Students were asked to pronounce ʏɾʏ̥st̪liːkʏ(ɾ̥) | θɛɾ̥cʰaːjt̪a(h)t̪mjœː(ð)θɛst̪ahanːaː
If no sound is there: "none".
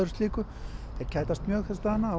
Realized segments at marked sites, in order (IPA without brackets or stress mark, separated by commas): none, s, ɣ